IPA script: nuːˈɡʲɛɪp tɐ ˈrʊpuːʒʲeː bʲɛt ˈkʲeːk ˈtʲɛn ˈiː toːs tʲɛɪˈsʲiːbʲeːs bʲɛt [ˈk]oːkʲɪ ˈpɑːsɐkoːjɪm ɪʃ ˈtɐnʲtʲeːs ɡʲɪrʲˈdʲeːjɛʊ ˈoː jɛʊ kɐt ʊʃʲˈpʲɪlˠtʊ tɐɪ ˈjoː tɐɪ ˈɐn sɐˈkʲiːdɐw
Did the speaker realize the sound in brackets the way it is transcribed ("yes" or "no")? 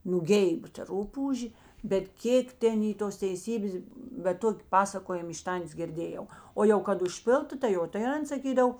no